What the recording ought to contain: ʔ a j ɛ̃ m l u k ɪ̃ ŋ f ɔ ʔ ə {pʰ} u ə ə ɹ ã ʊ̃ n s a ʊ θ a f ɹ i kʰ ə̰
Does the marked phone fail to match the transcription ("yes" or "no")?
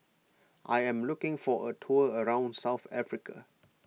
yes